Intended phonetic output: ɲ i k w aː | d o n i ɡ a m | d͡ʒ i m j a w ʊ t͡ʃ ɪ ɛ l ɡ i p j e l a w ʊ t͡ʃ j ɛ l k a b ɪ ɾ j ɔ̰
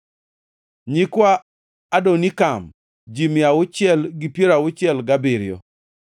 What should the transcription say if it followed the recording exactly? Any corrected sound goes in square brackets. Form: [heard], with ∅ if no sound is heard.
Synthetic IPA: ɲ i k w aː | d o n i [k] a m | d͡ʒ i m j a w ʊ t͡ʃ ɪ ɛ l ɡ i p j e [ɾ] a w ʊ t͡ʃ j ɛ l [ɡ] a b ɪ ɾ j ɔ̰